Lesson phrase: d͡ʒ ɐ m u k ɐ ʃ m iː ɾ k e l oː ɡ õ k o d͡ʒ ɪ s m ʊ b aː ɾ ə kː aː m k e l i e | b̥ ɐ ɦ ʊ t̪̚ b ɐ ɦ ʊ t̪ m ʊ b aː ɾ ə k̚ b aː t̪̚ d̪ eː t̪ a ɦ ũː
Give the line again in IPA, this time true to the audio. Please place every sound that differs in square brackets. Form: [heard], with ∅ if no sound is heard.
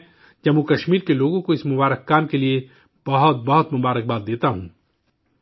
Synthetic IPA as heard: d͡ʒ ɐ m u k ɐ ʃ m iː ɾ k e l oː ɡ õ k o [∅] ɪ s m ʊ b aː ɾ ə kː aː m k e l i e | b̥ ɐ ɦ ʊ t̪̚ b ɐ ɦ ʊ t̪ m ʊ b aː ɾ ə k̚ b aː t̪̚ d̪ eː t̪ a ɦ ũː